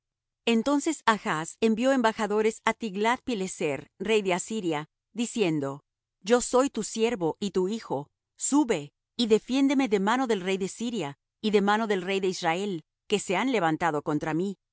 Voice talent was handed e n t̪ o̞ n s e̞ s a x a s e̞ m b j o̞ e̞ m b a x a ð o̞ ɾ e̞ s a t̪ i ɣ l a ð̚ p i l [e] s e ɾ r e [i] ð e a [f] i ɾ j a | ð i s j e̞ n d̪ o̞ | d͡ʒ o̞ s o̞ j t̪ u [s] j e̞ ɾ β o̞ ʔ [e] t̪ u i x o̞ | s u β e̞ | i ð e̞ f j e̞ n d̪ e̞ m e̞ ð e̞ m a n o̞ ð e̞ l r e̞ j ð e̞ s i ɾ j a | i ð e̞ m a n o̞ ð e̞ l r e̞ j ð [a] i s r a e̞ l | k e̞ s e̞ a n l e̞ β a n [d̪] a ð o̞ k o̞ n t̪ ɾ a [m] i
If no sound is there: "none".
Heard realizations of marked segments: e, j, s, s, i, e, t̪, m

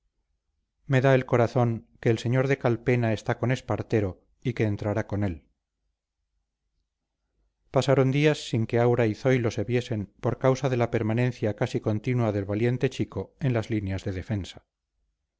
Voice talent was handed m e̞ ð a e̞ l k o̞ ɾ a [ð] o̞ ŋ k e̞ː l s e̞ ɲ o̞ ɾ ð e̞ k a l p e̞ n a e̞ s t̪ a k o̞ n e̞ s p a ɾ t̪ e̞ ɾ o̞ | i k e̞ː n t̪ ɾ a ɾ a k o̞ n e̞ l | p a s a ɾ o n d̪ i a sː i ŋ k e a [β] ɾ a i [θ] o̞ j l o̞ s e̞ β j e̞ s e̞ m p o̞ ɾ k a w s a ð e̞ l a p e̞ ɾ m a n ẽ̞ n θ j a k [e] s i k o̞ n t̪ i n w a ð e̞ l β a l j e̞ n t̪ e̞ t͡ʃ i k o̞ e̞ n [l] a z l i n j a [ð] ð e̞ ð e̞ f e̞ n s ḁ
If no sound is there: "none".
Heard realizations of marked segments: θ, w, θ, a, l, z

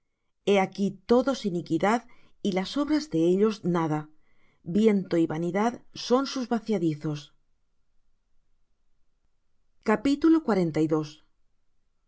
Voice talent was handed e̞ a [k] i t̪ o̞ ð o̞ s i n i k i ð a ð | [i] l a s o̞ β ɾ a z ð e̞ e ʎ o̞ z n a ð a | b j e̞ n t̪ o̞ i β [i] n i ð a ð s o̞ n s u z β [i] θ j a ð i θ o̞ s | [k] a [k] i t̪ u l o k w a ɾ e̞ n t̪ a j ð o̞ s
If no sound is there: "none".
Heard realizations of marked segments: k, i, a, a, k, p

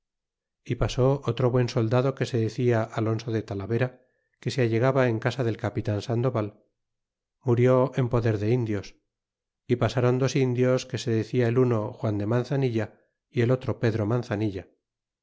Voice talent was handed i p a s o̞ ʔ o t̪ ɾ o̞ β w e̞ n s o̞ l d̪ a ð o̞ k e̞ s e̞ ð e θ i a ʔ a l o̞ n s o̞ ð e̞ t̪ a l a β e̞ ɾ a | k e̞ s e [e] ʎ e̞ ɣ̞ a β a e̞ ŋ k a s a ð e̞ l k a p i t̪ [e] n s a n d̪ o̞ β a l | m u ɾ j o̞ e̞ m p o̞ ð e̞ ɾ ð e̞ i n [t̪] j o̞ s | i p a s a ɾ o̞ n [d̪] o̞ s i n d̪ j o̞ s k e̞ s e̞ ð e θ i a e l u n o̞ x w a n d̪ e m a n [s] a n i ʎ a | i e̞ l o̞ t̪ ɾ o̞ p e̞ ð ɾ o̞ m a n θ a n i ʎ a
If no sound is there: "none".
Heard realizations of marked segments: a, a, d̪, d̪, θ

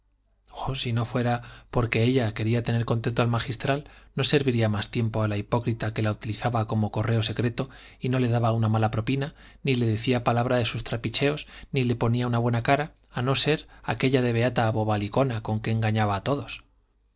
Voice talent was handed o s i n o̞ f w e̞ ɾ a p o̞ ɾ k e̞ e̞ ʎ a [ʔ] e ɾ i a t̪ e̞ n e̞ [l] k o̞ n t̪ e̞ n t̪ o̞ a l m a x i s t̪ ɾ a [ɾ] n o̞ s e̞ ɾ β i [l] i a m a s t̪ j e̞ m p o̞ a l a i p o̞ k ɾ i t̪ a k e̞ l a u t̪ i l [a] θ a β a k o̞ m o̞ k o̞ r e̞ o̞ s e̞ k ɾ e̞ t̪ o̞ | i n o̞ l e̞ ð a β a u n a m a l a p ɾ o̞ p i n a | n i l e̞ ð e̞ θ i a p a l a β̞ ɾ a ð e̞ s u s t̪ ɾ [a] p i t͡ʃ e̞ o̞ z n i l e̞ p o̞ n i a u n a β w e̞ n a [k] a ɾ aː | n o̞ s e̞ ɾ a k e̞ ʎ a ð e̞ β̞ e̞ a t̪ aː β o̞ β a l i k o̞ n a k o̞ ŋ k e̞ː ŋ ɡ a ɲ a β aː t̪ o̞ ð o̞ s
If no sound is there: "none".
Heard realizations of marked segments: k, ɾ, l, ɾ, i, a, k

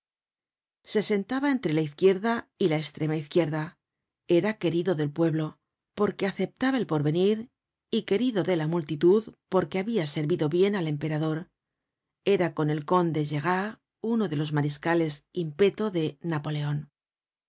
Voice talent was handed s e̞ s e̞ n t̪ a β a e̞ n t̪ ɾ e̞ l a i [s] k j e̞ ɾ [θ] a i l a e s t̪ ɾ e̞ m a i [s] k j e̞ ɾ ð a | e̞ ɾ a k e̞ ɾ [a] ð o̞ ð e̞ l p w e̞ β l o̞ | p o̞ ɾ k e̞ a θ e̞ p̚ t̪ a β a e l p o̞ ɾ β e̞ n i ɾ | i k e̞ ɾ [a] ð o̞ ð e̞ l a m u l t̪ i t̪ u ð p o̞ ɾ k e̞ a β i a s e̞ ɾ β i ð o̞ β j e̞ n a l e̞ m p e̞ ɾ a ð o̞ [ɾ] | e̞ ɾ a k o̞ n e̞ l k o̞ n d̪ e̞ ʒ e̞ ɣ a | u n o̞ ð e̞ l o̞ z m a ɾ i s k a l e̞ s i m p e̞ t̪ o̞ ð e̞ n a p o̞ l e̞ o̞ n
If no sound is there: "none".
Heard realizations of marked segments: θ, ð, θ, i, i, ɾ

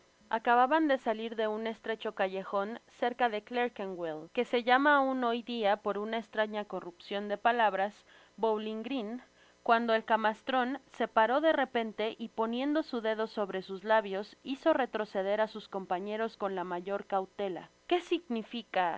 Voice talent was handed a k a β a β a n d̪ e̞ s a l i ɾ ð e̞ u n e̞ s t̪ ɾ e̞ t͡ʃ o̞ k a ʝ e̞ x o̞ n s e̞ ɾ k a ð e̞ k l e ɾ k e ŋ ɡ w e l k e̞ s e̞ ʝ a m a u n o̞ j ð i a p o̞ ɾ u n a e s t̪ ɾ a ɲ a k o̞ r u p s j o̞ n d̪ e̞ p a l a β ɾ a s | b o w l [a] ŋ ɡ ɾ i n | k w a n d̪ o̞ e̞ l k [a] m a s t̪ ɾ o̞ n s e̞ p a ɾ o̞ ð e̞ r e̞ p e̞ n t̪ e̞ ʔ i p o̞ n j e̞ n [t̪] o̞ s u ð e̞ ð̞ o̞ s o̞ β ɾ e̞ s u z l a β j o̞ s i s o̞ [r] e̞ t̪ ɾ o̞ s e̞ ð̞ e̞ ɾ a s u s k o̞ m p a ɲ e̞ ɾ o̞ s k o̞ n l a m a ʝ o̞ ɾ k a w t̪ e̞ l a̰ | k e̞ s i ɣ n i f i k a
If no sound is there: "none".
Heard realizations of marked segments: i, a, d̪, r

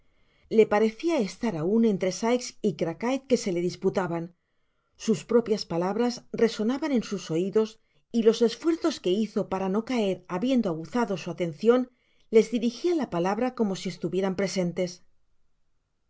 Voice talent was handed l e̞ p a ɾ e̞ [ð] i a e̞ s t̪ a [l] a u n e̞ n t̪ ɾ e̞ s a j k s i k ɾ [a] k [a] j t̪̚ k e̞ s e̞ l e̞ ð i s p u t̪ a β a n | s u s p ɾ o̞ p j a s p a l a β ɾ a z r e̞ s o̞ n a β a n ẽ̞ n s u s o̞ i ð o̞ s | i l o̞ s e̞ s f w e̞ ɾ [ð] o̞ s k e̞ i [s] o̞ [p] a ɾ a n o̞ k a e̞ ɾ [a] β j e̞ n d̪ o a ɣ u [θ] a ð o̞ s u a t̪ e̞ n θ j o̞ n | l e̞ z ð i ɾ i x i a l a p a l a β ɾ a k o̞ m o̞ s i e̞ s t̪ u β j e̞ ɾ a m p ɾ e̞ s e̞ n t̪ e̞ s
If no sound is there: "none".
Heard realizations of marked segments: θ, ɾ, a, a, θ, θ, p, a, θ

